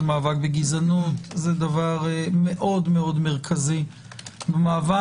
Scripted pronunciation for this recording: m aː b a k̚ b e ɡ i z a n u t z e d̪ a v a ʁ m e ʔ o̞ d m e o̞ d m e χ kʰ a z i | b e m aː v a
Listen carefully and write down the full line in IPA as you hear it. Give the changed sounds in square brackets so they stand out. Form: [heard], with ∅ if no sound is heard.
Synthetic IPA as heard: m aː [v] a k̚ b e ɡ i z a n u t z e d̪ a v a ʁ m e ʔ o̞ d m e o̞ d m e [ʁ] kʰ a z i | b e m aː v a